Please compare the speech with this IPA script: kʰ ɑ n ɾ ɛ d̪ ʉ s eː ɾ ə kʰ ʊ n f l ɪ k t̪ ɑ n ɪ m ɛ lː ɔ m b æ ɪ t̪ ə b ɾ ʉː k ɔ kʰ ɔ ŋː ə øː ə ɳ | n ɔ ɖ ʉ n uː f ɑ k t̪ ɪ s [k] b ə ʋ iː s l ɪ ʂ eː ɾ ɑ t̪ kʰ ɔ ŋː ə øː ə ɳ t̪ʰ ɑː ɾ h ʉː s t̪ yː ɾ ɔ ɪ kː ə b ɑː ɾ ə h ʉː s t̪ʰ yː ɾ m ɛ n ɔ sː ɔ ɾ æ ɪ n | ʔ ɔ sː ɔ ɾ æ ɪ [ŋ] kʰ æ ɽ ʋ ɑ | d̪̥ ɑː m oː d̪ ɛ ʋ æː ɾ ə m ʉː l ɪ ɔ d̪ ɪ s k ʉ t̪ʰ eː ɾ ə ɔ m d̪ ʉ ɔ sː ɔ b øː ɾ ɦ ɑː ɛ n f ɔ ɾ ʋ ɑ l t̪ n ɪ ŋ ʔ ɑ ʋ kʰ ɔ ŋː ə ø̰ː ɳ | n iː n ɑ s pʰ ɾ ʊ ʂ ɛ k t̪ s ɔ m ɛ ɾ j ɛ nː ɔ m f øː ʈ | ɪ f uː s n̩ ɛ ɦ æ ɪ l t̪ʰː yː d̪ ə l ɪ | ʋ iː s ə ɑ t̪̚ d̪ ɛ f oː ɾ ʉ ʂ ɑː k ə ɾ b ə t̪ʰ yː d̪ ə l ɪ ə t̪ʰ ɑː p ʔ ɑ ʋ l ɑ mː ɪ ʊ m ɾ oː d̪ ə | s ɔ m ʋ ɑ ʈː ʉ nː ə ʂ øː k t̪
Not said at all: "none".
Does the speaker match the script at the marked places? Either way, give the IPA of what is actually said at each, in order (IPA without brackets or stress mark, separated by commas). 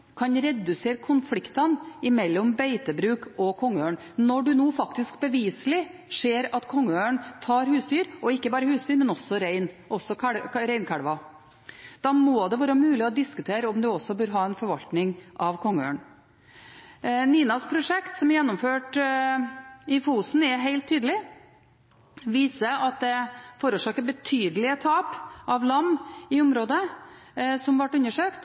k, n